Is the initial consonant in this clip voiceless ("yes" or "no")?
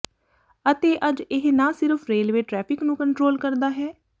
yes